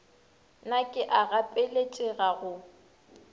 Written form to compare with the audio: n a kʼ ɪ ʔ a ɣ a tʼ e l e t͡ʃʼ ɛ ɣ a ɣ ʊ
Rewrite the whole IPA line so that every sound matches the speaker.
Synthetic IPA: n a kʼ ɪ ʔ a ɣ a pʼ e l e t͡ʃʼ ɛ ɣ a ɣ ʊ